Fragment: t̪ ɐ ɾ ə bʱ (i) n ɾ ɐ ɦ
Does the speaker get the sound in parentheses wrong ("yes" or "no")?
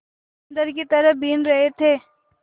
yes